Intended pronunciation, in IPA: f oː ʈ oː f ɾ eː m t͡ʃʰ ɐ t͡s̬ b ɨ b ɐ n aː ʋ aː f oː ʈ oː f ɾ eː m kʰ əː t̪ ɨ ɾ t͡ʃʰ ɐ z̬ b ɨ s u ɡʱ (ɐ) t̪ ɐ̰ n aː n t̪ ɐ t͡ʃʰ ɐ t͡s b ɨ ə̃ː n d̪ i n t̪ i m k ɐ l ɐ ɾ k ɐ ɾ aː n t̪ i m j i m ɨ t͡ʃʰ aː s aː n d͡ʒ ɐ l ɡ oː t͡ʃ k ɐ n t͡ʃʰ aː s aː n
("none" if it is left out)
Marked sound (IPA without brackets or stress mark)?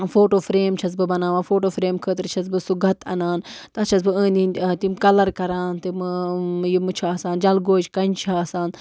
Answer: ɐ